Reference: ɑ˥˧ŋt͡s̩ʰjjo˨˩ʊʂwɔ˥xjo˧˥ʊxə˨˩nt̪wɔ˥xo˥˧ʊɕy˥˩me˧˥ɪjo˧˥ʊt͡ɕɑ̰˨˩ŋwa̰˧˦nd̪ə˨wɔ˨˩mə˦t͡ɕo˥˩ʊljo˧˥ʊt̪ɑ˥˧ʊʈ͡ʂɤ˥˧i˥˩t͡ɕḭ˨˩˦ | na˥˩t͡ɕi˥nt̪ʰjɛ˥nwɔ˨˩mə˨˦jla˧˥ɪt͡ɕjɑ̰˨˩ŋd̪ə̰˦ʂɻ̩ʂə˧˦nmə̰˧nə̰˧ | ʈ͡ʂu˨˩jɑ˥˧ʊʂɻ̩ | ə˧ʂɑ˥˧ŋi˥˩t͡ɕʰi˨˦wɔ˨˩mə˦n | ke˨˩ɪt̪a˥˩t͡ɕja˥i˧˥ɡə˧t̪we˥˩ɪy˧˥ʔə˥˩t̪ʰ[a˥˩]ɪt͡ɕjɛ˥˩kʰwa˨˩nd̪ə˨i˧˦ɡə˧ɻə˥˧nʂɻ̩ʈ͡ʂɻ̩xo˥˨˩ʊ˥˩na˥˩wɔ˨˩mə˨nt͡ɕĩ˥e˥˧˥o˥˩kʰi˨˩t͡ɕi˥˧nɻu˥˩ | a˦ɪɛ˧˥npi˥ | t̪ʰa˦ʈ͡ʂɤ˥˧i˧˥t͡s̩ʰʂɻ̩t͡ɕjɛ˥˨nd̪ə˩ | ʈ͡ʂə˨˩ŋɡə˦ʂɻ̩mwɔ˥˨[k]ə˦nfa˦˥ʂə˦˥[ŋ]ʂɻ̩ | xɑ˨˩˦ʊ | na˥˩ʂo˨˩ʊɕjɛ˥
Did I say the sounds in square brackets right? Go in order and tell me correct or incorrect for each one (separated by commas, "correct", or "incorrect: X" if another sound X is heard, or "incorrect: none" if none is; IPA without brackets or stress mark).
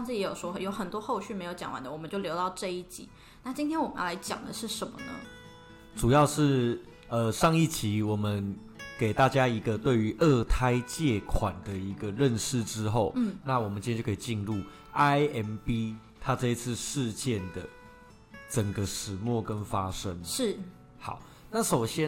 incorrect: a˥, correct, correct